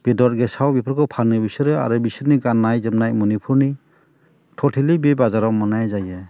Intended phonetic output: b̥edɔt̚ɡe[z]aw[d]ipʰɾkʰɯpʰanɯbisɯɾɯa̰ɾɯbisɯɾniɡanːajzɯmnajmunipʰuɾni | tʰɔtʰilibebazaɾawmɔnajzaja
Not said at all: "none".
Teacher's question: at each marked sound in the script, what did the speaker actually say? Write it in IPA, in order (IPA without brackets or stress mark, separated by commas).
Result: s, b